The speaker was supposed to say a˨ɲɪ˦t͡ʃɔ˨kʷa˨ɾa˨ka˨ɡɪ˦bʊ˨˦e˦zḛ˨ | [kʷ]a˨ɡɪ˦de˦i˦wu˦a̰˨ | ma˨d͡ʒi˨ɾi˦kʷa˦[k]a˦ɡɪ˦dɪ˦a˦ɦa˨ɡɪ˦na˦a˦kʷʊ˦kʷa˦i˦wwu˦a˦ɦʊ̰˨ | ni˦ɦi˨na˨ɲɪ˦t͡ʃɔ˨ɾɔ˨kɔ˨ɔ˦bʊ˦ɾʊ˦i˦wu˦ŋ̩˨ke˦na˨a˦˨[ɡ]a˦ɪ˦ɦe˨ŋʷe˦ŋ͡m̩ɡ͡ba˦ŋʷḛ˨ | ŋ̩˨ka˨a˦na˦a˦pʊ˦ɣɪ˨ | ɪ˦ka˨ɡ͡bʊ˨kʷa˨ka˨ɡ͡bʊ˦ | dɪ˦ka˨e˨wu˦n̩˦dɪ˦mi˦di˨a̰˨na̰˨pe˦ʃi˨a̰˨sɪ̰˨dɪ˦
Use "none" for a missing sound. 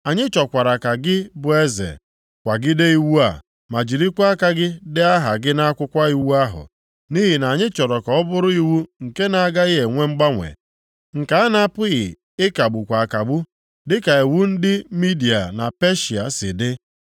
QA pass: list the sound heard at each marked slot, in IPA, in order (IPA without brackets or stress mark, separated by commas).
kʷ, k, ɡ